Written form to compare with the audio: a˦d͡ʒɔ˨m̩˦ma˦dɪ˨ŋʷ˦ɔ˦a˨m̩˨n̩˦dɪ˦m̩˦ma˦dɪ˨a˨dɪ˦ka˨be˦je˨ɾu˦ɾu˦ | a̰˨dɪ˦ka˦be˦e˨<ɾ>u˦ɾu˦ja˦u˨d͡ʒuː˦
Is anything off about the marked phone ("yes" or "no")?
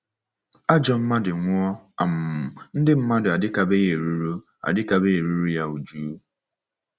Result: no